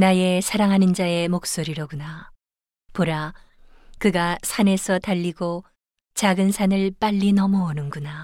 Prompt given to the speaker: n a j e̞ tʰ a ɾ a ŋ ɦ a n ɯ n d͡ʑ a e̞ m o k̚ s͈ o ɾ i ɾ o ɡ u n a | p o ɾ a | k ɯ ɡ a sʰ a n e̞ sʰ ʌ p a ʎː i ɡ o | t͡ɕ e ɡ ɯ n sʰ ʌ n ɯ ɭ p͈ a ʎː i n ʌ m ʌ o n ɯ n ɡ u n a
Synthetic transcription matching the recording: n a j e̞ sʰ a ɾ a ŋ ɦ a n ɯ n d͡ʑ a e̞ m o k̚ s͈ o ɾ i ɾ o ɡ u n a | p o ɾ a | k ɯ ɡ a sʰ a n e̞ sʰ ʌ t a ʎː i ɡ o | t͡ɕ a ɡ ɯ n sʰ a n ɯ ɭ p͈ a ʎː i n ʌ m ʌ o n ɯ n ɡ u n a